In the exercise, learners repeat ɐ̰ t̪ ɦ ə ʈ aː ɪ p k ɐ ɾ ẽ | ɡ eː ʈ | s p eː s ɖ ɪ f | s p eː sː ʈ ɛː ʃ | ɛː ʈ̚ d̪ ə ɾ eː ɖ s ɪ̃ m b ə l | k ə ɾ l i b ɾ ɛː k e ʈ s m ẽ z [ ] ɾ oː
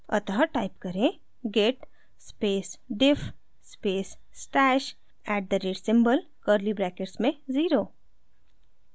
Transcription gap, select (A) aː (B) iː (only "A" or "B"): B